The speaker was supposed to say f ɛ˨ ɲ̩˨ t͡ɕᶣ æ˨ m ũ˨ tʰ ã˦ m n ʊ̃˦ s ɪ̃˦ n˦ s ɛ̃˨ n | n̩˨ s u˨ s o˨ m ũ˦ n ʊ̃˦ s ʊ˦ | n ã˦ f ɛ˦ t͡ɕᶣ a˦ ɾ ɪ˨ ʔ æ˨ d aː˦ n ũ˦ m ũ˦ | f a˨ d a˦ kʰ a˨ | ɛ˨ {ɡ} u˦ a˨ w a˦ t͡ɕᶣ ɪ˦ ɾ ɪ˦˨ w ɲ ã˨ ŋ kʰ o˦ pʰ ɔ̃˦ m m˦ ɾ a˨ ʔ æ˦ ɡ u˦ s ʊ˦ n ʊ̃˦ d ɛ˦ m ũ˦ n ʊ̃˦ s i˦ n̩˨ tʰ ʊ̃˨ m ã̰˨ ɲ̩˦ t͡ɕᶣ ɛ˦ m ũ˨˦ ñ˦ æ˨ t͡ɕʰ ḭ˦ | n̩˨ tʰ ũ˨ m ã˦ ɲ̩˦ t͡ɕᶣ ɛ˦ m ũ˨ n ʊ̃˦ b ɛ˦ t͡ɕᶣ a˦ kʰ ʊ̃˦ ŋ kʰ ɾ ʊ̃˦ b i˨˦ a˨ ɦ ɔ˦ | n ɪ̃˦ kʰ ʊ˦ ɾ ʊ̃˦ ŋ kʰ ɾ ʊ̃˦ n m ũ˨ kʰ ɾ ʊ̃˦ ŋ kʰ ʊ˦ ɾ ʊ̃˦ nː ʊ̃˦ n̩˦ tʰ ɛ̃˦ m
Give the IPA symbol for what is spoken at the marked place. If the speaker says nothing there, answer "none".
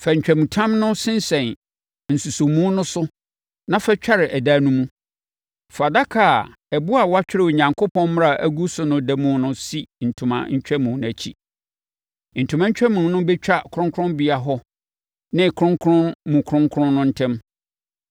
b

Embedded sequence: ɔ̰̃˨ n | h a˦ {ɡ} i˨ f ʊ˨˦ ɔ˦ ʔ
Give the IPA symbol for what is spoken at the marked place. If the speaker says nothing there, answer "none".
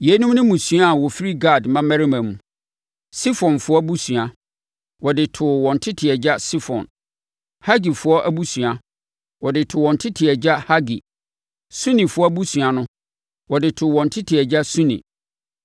ɡ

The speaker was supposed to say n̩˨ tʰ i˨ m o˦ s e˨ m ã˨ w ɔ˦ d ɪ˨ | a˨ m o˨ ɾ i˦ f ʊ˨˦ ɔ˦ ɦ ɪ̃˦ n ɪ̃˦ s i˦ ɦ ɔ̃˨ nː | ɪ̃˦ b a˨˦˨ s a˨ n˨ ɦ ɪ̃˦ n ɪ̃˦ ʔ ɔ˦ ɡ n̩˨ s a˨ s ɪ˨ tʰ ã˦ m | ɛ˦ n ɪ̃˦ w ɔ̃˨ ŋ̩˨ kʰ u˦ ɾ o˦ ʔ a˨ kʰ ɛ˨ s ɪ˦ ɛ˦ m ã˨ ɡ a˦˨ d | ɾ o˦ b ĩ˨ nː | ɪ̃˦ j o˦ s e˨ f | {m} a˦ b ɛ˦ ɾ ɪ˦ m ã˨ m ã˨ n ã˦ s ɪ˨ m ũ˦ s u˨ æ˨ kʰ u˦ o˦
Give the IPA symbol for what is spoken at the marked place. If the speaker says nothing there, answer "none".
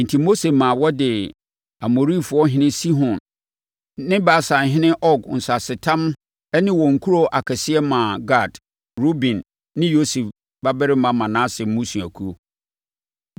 b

